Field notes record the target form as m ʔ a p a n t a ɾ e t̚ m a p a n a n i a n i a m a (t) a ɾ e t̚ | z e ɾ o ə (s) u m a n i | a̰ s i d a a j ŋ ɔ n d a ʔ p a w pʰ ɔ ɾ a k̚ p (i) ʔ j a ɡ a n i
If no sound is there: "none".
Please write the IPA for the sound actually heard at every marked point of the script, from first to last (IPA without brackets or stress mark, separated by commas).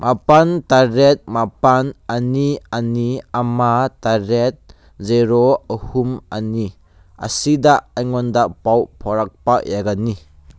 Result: t, h, a